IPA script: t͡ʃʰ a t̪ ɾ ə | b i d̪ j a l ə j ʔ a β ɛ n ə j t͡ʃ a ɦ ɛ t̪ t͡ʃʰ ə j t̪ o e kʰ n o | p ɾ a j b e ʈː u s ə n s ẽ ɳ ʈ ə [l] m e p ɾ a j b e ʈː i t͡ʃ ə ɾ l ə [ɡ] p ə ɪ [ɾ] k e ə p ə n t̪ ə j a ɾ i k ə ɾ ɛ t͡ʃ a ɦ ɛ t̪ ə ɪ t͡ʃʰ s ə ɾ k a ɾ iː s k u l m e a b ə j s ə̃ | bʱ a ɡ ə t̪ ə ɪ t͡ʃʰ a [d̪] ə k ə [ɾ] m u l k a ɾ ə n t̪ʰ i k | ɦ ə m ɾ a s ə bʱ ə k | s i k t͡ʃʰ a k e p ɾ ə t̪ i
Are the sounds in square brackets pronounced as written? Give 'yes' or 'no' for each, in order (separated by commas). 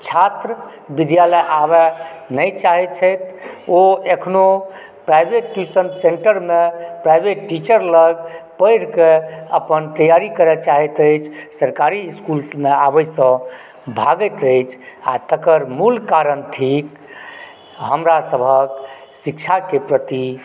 no, yes, yes, no, yes